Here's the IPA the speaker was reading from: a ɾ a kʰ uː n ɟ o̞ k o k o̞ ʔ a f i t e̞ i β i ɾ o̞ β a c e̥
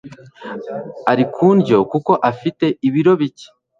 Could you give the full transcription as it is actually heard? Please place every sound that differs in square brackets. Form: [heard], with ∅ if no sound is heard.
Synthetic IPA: a ɾ [i] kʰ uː n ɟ o̞ k [u] k o̞ ʔ a f i t e̞ i β i ɾ o̞ β [i] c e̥